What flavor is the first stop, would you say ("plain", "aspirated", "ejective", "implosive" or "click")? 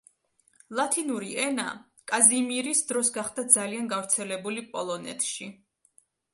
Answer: aspirated